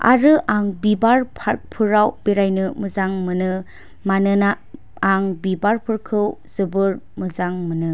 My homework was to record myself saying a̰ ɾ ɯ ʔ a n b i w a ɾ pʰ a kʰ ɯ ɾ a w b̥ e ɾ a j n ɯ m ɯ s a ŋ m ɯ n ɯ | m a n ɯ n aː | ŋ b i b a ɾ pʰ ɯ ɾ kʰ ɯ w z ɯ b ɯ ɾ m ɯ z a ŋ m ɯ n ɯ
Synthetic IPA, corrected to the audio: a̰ ɾ ɯ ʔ a ŋ b i b a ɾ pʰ a pʰ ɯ ɾ a w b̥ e ɾ a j n ɯ m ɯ z a ŋ m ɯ n ɯ | m a n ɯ n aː | ŋ b i b a ɾ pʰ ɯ ɾ kʰ ɯ w z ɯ b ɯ ɾ m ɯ z a ŋ m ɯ n ɯ